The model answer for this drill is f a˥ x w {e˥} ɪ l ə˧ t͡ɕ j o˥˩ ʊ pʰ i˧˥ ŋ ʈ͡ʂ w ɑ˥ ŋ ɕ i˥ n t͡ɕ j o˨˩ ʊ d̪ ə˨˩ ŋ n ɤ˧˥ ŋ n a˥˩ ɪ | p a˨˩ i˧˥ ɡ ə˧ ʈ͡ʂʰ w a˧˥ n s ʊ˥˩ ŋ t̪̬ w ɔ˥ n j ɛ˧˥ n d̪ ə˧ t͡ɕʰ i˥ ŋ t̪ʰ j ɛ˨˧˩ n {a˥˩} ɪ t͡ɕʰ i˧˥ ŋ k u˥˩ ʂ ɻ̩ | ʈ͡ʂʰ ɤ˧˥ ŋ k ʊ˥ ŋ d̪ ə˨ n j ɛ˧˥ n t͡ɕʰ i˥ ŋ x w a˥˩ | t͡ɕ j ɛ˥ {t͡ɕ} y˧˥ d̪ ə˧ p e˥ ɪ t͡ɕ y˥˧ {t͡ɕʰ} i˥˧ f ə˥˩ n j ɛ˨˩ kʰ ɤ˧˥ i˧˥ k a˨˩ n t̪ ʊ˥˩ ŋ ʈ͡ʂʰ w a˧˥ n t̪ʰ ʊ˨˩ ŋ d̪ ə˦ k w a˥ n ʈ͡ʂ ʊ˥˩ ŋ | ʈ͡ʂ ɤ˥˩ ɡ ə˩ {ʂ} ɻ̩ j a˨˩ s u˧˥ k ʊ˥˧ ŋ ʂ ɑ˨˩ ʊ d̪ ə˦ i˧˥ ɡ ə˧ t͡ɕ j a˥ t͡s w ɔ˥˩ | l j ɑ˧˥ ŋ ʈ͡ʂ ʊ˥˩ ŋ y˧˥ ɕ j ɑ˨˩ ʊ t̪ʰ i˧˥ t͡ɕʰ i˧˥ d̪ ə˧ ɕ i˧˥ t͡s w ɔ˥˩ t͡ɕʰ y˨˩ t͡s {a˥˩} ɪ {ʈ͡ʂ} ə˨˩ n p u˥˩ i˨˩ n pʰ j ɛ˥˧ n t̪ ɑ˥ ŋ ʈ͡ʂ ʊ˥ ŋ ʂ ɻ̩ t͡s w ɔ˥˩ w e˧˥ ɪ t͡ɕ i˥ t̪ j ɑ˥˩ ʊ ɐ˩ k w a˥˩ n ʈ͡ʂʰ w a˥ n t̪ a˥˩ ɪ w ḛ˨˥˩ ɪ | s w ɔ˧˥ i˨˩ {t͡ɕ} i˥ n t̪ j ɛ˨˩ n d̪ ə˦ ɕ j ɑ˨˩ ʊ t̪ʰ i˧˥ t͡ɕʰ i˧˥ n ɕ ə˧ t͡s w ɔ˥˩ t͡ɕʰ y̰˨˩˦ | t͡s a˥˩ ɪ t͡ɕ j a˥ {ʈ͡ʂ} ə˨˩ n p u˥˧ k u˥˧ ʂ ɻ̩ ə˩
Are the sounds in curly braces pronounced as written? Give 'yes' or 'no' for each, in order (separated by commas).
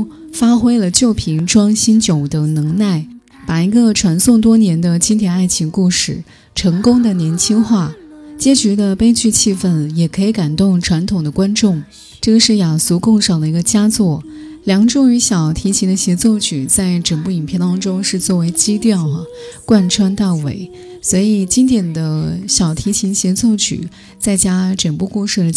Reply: yes, yes, yes, yes, yes, yes, yes, yes, yes